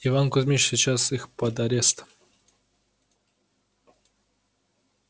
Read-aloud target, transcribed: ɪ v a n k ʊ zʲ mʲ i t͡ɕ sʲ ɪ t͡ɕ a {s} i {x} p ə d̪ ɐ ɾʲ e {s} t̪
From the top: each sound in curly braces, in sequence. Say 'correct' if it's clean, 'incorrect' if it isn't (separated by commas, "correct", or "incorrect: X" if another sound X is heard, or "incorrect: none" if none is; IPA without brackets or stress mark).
correct, correct, correct